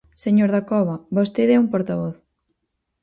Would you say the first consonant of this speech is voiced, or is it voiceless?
voiceless